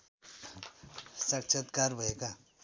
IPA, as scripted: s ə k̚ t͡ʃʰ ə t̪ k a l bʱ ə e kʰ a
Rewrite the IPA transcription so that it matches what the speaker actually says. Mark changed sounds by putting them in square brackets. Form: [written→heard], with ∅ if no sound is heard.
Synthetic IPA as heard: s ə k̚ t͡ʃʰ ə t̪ k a [l→ɾ] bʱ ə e [kʰ→k] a